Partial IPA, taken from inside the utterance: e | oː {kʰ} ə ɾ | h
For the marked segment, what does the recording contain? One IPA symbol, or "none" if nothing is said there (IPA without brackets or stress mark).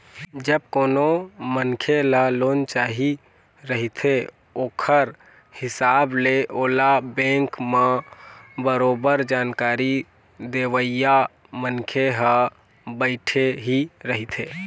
kʰ